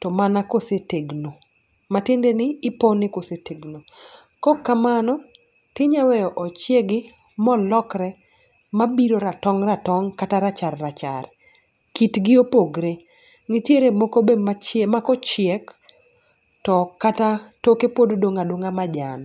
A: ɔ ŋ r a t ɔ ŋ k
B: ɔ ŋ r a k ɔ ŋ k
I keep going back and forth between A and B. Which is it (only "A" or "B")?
A